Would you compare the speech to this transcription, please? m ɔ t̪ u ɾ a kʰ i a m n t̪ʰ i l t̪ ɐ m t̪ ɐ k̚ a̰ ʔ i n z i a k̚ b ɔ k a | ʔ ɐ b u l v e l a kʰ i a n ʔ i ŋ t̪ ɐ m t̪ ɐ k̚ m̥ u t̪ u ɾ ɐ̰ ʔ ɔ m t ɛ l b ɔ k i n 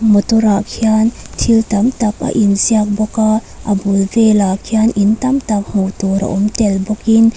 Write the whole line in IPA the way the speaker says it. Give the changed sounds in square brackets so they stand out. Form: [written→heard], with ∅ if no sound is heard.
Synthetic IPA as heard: m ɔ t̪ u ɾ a kʰ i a [m→∅] n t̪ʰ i l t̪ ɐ m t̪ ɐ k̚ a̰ ʔ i n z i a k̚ b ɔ k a | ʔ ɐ b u l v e l a kʰ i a n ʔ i [ŋ→n] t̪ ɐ m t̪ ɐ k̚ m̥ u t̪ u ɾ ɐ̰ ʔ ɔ m t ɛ l b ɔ k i n